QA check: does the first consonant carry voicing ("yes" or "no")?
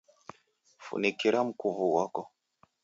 no